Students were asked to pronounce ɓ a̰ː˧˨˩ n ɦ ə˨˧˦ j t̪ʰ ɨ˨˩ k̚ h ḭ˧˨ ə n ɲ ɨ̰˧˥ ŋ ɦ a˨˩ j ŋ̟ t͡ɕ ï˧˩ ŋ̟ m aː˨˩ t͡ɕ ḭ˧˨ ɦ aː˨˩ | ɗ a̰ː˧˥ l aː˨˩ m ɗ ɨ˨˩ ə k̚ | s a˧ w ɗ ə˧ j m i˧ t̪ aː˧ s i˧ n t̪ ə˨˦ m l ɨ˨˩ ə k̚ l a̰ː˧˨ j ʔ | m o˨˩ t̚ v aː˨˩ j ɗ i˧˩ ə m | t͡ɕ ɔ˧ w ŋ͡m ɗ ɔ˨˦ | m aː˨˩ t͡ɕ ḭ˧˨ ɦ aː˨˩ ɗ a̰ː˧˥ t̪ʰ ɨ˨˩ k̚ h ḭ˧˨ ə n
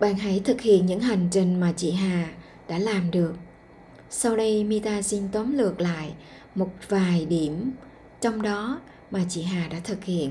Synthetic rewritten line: ɓ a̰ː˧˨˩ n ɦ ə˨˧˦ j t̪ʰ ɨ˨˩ k̚ h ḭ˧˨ ə n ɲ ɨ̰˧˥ ŋ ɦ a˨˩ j ŋ̟ t͡ɕ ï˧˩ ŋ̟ m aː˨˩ t͡ɕ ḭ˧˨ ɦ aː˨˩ | ɗ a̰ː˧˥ l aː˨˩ m ɗ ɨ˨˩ ə k̚ | s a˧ w ɗ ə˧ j m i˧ t̪ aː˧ s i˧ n t̪ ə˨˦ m l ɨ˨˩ ə k̚ l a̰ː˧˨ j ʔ | m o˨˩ t̚ v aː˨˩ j ɗ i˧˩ ə m | t͡ɕ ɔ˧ w ŋ͡m ɗ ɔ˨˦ | m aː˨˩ t͡ɕ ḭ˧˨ ɦ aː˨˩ ɗ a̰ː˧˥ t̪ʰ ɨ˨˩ k̚ h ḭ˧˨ ə n